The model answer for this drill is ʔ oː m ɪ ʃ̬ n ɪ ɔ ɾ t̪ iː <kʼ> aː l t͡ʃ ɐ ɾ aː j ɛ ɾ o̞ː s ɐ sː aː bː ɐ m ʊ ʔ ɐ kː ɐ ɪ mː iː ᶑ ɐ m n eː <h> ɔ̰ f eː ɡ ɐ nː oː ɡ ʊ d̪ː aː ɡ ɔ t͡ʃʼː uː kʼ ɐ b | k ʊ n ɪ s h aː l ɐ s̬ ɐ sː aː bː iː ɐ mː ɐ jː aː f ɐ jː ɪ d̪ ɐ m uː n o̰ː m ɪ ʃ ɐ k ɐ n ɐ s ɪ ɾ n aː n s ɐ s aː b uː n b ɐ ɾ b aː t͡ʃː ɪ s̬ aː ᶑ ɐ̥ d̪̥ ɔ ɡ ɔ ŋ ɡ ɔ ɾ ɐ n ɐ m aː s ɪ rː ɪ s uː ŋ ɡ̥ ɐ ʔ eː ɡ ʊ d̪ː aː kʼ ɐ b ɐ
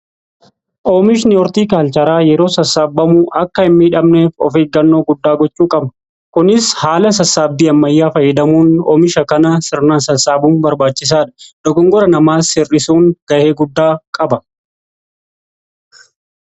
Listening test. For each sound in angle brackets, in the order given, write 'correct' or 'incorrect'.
incorrect: k, incorrect: f

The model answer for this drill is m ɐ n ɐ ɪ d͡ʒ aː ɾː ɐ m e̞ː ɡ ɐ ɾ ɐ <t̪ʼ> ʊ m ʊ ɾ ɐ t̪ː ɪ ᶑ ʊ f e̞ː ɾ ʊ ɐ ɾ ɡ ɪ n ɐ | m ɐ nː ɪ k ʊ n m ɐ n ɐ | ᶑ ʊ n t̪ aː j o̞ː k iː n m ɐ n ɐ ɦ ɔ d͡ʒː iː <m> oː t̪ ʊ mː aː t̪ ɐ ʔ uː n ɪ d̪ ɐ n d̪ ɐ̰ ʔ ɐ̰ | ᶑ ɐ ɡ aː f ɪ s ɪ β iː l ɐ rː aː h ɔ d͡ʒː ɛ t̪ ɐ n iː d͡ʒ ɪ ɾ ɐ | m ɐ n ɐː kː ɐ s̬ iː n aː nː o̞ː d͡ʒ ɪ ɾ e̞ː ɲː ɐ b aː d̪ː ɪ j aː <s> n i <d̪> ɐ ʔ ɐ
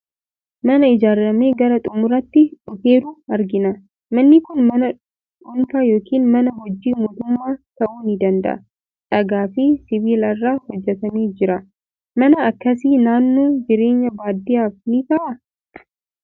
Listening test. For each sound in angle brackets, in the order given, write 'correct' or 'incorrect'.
correct, correct, incorrect: f, incorrect: t̪

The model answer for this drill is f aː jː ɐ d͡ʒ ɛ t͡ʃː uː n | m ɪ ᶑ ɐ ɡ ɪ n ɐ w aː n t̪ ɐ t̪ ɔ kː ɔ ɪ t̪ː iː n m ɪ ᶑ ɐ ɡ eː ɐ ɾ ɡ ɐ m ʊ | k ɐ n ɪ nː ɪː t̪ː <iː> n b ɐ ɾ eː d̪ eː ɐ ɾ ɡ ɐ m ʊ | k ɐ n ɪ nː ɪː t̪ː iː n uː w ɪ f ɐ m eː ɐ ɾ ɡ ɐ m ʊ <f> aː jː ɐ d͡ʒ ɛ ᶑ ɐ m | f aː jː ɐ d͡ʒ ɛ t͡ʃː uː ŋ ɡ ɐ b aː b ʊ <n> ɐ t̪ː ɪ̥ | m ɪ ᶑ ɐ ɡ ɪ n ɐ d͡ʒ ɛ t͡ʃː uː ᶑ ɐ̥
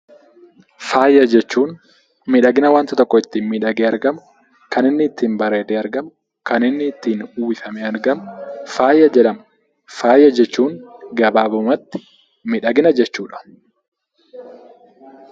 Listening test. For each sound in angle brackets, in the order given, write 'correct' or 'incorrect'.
correct, correct, incorrect: m

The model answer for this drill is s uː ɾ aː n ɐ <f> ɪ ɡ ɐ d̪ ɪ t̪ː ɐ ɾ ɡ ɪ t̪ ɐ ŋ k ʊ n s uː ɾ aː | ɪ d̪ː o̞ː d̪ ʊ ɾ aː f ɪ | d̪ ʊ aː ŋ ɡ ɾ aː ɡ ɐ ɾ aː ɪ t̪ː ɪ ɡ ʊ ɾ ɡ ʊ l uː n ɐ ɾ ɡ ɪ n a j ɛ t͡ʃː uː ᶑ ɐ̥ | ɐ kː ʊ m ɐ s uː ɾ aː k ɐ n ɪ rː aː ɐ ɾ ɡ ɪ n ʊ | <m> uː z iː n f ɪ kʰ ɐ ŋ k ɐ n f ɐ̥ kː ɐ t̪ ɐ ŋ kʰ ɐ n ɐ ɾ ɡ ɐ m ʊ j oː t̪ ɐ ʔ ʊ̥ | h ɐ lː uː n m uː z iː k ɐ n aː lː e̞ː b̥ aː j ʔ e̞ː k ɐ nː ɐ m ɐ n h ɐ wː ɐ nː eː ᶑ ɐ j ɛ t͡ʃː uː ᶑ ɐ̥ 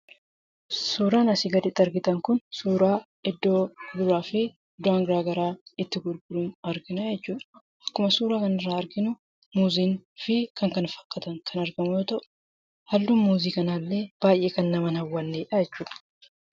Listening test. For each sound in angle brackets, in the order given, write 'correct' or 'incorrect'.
incorrect: s, correct

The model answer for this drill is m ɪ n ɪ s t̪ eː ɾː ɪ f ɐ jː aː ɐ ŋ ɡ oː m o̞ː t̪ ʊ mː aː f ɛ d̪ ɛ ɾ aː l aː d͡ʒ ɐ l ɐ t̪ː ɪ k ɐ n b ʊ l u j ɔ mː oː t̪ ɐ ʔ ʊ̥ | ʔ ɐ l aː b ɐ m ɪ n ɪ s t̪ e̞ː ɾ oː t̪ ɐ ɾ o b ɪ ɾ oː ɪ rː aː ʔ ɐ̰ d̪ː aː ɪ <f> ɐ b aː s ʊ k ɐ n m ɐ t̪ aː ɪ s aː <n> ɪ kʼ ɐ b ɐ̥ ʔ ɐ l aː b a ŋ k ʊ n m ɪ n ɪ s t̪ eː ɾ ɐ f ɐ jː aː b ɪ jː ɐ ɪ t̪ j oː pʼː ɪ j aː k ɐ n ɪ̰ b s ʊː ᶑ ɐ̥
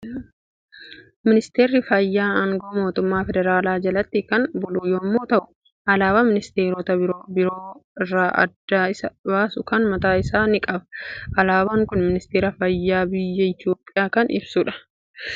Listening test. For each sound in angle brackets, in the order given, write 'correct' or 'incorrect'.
incorrect: s, correct

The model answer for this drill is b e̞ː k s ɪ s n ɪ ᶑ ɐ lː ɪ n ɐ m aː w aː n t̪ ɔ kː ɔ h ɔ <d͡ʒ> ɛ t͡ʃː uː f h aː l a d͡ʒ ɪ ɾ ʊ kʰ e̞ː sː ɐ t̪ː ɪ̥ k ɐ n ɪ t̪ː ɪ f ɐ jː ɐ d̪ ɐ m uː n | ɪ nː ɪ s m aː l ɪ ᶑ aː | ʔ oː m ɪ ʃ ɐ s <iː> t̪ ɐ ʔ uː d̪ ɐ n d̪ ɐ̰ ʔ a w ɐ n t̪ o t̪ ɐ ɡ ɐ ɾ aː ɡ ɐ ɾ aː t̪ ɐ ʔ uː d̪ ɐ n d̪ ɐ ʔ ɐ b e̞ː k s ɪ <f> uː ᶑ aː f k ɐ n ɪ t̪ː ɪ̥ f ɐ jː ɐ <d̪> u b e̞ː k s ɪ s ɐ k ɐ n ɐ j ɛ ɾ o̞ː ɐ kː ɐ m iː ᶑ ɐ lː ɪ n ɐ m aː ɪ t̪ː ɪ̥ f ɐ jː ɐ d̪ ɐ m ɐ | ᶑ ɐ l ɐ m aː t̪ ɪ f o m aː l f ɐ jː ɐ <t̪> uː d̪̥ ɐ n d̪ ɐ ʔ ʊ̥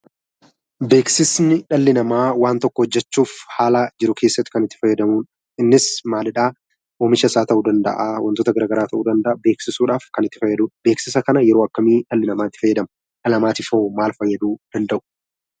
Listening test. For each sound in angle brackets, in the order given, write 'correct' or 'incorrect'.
incorrect: d͡ʒː, incorrect: aː, incorrect: s, correct, incorrect: d̪

